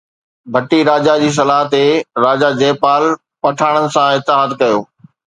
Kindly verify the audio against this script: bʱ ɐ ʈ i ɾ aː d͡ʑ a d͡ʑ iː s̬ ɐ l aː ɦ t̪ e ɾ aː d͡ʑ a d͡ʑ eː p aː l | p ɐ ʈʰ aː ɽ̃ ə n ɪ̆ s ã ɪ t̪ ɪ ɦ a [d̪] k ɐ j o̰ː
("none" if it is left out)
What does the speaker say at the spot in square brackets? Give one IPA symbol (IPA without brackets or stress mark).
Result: d̪